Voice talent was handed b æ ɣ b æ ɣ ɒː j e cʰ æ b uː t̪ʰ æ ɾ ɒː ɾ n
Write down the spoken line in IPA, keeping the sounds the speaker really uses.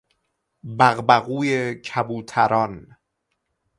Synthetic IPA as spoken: b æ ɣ b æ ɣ uː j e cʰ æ b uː t̪ʰ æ ɾ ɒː n